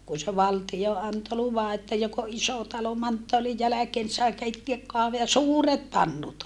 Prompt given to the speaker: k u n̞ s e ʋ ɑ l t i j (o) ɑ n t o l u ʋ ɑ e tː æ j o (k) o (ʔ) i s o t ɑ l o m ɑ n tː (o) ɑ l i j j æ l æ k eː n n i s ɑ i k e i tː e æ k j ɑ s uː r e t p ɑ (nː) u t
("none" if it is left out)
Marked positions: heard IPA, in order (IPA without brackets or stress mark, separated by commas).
o, k, ʔ, o, nː